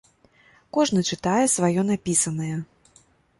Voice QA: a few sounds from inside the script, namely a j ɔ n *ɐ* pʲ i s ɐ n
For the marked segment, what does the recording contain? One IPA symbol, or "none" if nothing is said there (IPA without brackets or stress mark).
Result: a